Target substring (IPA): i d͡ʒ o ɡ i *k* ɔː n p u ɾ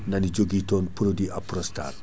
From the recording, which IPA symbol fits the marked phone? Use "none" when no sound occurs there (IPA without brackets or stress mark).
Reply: t